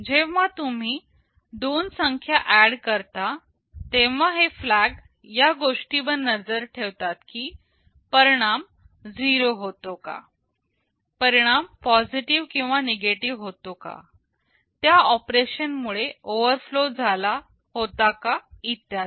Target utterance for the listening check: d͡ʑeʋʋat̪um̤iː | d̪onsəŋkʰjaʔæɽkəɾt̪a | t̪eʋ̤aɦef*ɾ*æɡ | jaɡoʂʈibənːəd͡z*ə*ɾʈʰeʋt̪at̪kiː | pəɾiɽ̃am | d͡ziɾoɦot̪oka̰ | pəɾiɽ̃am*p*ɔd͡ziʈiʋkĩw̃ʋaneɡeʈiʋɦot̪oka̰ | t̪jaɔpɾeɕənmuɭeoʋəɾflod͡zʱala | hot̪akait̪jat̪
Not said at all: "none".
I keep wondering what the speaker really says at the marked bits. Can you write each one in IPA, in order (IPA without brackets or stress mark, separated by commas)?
l, ə, p